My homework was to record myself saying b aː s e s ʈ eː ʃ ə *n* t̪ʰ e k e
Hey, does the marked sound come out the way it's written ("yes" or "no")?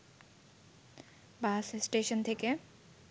yes